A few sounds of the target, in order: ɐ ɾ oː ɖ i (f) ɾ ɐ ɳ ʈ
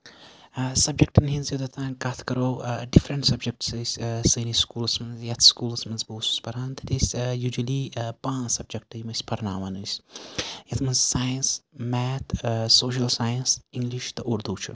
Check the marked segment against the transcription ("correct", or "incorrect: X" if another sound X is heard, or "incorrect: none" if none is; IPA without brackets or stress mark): correct